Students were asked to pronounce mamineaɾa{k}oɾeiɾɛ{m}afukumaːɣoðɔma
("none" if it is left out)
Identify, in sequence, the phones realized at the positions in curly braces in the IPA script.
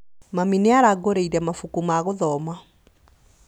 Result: ɡ, m

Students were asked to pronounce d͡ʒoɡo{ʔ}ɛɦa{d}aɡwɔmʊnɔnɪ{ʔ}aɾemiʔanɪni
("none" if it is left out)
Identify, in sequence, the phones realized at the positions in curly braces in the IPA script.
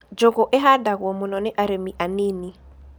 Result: ʔ, d, ʔ

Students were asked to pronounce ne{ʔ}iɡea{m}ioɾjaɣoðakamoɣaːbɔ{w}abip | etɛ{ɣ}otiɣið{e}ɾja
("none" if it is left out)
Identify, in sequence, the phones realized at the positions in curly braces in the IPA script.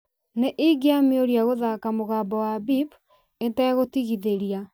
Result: ʔ, m, w, ɣ, e

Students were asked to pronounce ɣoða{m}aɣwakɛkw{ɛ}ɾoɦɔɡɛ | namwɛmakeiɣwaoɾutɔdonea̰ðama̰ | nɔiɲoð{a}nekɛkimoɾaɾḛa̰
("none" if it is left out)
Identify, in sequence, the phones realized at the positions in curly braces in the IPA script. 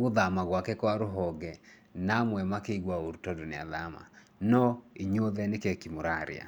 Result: m, a, ɛ

